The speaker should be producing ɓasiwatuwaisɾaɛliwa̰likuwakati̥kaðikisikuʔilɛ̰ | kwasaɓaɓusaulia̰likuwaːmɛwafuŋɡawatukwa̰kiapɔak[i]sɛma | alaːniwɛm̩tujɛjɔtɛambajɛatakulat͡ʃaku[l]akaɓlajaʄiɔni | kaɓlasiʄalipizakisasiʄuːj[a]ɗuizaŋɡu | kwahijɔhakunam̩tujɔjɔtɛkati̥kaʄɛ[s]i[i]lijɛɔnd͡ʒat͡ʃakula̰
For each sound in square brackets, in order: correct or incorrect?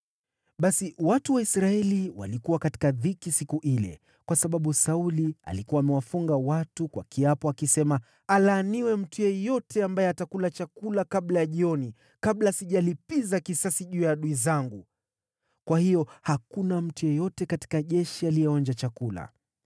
correct, correct, correct, incorrect, incorrect

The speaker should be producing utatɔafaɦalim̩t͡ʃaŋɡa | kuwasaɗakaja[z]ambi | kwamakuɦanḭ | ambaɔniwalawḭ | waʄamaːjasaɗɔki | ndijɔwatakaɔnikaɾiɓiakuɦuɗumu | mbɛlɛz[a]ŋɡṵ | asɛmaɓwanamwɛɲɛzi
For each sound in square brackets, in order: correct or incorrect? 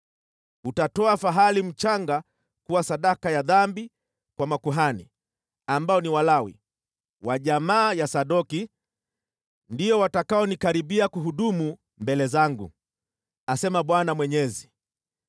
incorrect, correct

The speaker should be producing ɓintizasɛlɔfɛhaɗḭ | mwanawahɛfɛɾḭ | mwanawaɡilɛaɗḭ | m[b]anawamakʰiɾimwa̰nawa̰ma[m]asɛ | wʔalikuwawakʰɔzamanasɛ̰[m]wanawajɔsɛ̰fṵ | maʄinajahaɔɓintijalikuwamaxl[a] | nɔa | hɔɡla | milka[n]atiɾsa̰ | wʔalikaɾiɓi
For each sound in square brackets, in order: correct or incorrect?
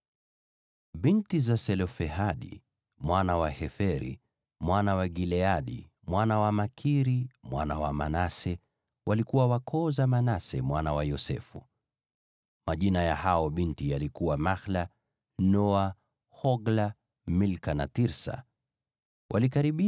incorrect, incorrect, correct, correct, correct

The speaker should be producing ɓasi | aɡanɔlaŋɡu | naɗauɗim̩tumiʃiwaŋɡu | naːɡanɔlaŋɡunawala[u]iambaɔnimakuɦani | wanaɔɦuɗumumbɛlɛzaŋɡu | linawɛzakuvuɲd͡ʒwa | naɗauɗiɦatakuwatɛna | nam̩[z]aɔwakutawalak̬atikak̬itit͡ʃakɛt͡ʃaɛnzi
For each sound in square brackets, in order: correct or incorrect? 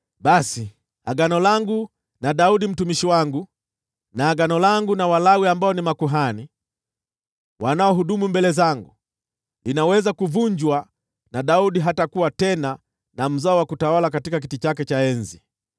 incorrect, correct

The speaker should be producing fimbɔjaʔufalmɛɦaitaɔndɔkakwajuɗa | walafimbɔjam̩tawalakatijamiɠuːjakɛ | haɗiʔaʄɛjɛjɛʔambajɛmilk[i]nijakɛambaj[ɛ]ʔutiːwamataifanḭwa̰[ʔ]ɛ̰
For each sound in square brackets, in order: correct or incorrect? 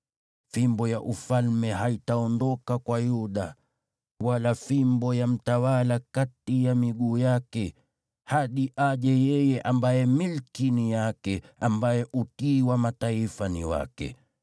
correct, correct, incorrect

